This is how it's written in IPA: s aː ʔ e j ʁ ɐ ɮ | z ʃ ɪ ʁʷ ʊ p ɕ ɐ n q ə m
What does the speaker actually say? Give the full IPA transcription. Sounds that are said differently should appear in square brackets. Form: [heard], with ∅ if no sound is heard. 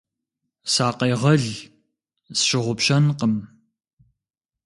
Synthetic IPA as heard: s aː [q] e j ʁ ɐ ɮ | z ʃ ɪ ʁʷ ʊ p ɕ ɐ n q ə m